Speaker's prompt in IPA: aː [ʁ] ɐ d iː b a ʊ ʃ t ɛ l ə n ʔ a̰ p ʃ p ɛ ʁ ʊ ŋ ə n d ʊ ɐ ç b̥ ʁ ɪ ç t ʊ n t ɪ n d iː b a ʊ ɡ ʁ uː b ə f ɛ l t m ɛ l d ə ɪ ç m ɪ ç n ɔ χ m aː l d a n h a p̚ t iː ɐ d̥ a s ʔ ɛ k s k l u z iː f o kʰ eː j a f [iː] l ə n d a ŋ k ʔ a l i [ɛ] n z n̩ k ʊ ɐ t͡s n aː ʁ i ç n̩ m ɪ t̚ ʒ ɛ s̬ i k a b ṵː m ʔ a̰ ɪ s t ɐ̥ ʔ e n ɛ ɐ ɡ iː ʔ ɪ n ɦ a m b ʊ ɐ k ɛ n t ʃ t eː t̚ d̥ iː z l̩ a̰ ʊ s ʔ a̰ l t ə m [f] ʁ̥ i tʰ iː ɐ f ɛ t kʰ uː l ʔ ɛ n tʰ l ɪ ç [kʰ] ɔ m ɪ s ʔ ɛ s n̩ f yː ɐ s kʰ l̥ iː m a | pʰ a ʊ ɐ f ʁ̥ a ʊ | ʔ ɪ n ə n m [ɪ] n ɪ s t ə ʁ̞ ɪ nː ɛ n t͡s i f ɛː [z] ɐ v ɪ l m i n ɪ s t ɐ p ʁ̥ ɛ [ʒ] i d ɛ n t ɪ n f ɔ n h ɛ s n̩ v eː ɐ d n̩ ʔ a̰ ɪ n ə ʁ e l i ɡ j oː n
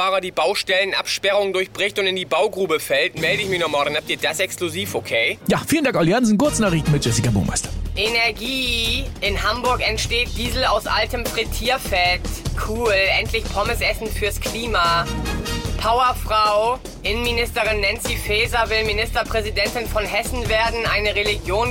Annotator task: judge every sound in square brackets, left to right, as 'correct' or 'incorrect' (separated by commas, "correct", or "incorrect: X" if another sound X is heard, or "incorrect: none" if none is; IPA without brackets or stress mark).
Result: correct, correct, incorrect: a, correct, incorrect: pʰ, incorrect: i, correct, incorrect: z